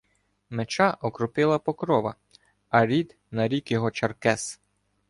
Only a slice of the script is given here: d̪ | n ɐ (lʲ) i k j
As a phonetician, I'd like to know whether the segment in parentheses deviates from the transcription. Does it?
yes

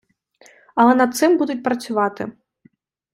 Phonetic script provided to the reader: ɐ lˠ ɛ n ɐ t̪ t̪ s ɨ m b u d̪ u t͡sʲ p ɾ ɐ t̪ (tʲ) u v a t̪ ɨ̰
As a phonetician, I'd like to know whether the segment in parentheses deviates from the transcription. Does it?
yes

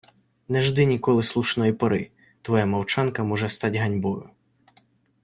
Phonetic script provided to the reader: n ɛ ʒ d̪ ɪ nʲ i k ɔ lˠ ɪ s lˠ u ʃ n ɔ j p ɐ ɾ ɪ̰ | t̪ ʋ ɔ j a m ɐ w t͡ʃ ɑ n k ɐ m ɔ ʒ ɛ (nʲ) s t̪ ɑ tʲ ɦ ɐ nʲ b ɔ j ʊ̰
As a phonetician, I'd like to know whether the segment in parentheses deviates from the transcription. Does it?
yes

